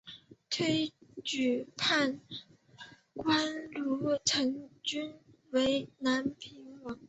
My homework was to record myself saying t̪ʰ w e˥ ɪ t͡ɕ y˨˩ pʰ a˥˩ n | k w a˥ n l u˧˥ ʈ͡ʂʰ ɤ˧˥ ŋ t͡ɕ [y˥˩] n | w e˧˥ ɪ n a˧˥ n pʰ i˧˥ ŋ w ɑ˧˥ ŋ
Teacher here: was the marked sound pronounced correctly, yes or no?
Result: no